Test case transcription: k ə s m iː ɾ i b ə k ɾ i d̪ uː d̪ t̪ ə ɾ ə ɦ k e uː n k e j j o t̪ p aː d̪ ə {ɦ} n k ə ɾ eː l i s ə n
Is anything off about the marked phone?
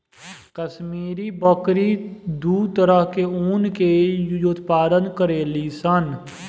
yes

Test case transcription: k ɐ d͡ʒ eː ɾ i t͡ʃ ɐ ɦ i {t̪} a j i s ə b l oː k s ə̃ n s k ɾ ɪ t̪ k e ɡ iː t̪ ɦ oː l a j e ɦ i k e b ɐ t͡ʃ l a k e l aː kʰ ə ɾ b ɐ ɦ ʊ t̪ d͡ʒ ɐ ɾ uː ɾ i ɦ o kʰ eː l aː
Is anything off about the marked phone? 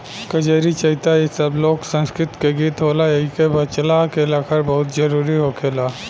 no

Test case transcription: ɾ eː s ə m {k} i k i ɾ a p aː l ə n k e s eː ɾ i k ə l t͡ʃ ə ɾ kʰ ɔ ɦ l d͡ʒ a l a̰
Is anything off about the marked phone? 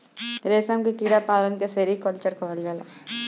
no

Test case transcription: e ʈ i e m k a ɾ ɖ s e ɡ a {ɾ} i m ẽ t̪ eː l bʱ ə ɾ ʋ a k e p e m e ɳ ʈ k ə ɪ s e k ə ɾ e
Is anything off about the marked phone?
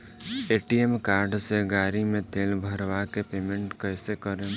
no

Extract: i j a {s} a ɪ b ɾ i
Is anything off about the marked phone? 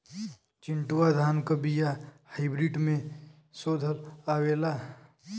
yes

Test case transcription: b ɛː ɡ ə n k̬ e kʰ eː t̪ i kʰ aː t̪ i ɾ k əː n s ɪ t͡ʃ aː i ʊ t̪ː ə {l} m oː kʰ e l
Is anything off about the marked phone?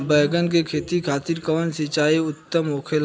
yes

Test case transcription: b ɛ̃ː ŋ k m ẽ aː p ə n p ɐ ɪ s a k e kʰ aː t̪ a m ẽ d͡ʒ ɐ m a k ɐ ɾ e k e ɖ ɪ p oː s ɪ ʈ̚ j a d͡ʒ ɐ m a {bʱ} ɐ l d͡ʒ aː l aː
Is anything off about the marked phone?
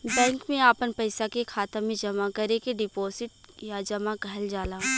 yes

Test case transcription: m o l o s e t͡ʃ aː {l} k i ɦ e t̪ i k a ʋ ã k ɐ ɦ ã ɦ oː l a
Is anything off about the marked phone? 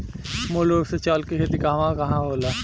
no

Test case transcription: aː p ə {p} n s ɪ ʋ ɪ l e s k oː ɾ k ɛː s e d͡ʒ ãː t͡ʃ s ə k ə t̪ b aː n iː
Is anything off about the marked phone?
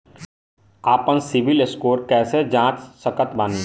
yes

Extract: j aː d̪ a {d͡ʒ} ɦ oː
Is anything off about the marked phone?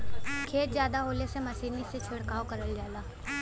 yes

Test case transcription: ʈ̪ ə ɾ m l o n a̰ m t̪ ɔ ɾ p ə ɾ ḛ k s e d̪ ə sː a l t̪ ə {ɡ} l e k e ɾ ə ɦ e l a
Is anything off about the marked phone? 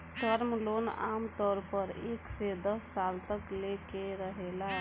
yes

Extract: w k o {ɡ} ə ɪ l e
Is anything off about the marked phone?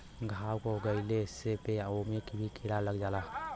no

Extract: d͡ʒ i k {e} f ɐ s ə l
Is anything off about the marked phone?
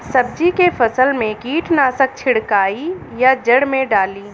no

